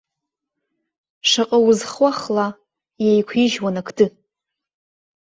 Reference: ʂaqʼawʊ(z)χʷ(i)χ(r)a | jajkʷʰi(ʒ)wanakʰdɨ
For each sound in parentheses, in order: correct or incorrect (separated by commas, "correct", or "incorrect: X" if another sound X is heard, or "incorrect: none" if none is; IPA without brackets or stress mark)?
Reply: correct, incorrect: a, incorrect: l, correct